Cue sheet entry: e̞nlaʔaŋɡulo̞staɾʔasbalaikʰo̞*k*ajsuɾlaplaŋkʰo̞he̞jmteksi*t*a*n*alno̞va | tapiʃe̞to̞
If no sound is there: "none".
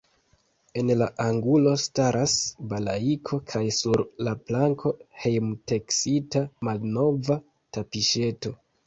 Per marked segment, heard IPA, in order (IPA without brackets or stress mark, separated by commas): kʰ, t, m